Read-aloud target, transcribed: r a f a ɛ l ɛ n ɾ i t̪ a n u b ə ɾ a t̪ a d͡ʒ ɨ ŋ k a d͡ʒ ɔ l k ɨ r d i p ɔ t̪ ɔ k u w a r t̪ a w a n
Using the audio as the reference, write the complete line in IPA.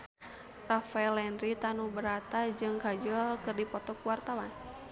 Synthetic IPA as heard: r a f a ɛ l ɛ n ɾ i t̪ a n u b ə ɾ a t̪ a d͡ʒ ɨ ŋ k a d͡ʒ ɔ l k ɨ r d i p ɔ t̪ ɔ k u w a r t̪ a w a n